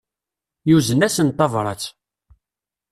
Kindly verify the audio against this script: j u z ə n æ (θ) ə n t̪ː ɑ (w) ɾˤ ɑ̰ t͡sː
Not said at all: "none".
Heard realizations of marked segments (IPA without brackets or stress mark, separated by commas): s, v